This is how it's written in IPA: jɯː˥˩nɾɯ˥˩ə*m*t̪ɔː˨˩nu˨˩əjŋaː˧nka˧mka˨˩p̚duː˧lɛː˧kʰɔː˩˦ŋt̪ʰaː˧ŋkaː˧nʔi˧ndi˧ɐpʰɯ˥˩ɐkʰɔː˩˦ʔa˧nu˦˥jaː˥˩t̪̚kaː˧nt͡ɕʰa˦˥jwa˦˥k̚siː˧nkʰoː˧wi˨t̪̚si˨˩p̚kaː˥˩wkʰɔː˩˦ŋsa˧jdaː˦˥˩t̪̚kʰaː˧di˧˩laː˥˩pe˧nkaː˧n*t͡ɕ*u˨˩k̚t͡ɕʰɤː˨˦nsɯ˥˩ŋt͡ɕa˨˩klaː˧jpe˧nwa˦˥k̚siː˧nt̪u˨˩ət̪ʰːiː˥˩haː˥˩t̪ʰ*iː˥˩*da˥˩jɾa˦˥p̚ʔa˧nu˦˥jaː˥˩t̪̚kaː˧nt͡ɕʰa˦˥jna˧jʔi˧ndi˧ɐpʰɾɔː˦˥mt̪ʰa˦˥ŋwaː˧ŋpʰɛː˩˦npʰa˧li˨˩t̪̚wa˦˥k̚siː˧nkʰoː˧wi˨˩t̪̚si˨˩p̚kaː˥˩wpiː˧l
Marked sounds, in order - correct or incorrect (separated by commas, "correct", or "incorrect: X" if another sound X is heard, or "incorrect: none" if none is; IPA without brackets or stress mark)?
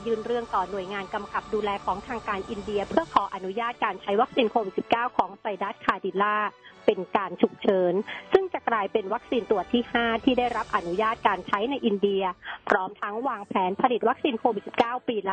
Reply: incorrect: ŋ, incorrect: t͡ɕʰ, correct